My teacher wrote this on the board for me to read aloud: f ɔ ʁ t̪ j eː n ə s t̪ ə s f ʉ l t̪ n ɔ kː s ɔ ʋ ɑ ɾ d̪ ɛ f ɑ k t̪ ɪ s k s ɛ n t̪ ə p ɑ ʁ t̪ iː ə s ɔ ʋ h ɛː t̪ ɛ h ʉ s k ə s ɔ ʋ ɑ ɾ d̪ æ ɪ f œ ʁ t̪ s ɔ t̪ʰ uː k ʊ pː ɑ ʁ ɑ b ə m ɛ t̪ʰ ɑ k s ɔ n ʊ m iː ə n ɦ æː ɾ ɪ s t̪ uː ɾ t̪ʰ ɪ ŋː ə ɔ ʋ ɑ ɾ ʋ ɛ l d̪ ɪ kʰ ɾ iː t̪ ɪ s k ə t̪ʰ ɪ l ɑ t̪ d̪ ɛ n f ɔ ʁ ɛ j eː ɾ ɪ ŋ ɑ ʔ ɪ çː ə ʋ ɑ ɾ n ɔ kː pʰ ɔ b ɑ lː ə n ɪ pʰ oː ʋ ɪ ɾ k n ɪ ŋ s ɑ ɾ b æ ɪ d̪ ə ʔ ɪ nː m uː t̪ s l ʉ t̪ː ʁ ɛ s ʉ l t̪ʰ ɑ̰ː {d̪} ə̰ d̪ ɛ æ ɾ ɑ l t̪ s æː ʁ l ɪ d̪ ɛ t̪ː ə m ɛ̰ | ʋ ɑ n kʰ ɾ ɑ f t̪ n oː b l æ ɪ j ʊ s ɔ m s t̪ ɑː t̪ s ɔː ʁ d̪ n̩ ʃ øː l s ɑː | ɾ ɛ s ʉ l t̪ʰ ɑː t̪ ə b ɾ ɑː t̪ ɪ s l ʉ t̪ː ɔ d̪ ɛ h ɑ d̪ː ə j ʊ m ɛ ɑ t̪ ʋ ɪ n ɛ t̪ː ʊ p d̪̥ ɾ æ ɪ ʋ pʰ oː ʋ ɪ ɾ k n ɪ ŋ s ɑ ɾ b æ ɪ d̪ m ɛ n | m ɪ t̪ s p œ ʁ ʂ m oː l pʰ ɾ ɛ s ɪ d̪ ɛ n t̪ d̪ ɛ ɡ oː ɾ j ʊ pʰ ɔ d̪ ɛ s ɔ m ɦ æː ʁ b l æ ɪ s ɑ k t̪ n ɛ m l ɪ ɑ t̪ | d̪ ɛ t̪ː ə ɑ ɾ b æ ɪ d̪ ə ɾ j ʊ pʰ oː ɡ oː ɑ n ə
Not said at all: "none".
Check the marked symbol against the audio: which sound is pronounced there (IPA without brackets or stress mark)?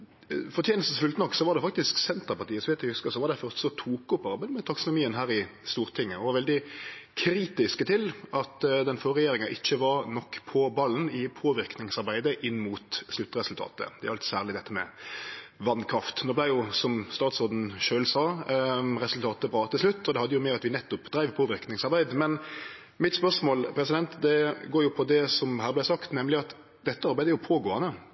t̪